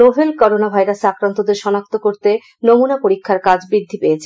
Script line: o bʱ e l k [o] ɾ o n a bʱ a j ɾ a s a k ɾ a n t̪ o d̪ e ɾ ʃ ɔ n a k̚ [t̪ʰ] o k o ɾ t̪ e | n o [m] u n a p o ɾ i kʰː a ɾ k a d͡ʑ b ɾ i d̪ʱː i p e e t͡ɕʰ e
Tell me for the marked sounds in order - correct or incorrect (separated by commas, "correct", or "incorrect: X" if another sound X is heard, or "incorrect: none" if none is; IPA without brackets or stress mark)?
incorrect: ɔ, incorrect: t̪, correct